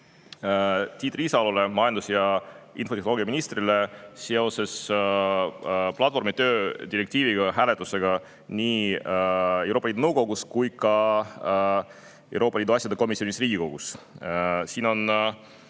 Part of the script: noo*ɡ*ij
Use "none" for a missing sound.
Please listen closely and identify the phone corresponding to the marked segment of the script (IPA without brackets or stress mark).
ɡ